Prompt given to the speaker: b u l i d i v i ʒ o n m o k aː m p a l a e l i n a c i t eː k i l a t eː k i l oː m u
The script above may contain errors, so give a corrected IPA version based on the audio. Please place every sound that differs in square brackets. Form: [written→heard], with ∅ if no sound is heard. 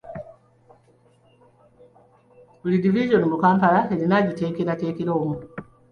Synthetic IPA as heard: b u l i d i v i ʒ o n m [o→u] k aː m p a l a e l i n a [c→ɟ] i t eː k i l a t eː k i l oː m u